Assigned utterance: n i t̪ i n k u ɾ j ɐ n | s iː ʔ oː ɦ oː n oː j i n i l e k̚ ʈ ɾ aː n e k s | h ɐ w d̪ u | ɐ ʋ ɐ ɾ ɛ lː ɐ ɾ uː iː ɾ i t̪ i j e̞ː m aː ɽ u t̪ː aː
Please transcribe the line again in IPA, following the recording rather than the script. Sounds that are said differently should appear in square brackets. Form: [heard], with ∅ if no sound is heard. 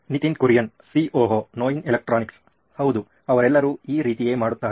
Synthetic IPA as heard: n i t̪ i n k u ɾ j ɐ n | s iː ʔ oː ɦ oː n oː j i n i l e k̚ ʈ ɾ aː n [i] k s | h ɐ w d̪ u | ɐ ʋ ɐ ɾ ɛ lː ɐ ɾ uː iː ɾ [iː] t̪ i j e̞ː m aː ɽ u t̪ː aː